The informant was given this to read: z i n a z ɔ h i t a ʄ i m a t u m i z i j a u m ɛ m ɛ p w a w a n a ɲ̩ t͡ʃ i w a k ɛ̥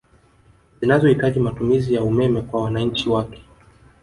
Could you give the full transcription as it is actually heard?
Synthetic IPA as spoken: z i n a z ɔ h i t a ʄ i m a t u m i z i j a u m ɛ m ɛ k w a w a n a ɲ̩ t͡ʃ i w a k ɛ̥